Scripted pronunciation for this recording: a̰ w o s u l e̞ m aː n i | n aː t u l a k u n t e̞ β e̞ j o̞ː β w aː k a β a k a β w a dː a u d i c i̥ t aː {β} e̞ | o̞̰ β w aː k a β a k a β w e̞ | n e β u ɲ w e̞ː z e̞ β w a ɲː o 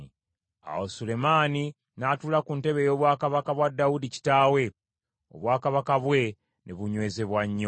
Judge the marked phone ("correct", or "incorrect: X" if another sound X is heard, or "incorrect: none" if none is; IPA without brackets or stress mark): incorrect: w